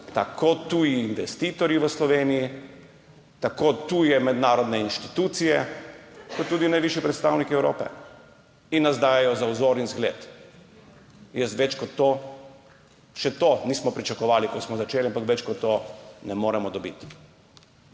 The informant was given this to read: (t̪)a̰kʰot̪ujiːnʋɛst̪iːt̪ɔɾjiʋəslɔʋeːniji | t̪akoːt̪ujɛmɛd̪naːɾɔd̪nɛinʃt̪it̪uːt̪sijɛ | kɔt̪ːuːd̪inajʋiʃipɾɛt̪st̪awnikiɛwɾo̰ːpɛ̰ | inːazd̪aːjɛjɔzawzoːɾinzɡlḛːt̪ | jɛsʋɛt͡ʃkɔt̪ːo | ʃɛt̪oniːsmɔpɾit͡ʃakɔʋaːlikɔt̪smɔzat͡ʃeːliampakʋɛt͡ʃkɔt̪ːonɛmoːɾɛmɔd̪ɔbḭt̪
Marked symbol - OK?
yes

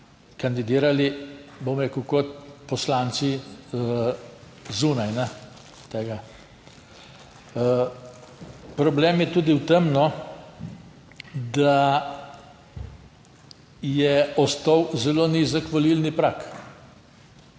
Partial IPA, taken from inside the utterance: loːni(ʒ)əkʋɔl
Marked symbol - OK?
no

